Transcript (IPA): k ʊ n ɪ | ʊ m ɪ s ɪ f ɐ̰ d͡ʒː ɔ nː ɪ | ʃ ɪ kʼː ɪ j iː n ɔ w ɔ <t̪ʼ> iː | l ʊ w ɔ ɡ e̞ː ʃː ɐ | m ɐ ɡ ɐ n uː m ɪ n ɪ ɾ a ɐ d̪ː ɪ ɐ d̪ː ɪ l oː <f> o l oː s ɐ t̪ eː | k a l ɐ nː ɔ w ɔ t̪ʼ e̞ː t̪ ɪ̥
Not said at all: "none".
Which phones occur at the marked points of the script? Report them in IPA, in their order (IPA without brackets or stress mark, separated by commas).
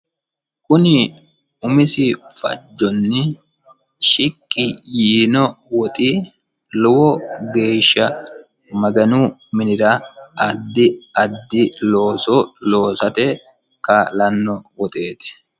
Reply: t̪ʼ, s